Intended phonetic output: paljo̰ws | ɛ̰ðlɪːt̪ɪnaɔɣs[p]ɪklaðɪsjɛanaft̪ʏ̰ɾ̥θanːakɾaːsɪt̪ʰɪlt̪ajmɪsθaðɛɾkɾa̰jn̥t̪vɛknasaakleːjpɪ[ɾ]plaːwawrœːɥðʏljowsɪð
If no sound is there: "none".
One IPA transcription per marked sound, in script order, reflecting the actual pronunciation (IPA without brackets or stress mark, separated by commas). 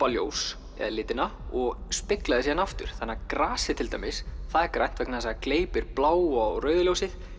p, ɾ